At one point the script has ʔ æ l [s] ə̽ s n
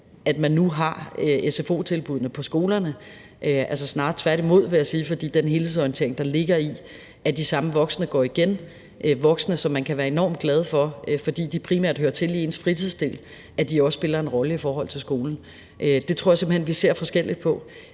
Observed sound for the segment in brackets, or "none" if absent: s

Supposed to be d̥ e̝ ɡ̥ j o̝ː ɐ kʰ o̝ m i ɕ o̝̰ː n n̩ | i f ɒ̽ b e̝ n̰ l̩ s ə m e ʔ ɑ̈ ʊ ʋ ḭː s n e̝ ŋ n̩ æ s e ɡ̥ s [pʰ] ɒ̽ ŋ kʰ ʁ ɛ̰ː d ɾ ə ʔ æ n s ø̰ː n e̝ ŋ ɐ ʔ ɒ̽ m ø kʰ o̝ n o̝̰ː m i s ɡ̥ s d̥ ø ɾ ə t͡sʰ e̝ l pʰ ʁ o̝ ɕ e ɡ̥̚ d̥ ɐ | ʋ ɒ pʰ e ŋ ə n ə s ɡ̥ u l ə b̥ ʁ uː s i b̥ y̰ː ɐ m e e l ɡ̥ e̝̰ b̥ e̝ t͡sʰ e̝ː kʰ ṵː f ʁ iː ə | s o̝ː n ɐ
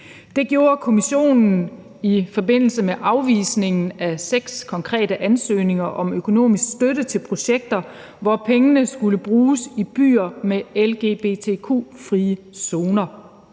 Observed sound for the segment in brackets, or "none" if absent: kʰ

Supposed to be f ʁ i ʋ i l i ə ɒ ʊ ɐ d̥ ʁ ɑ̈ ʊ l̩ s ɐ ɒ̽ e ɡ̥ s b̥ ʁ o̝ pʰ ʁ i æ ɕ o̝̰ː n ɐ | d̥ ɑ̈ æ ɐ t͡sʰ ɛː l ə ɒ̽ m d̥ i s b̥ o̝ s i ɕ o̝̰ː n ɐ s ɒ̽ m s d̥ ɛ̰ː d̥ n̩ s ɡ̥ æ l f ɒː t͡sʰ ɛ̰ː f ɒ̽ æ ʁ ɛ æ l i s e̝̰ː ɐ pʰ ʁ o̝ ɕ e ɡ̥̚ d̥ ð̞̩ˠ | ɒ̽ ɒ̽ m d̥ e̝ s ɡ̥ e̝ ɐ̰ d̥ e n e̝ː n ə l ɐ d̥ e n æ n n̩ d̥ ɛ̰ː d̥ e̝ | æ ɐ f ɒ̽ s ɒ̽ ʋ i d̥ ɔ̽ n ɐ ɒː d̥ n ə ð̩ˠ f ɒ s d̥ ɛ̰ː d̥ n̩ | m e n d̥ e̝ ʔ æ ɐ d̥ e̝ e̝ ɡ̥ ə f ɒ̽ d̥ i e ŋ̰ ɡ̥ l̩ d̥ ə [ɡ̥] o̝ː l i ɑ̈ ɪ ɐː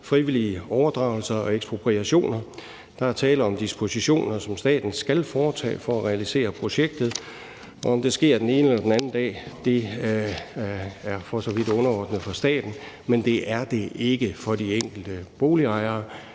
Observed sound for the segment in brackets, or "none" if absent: b̥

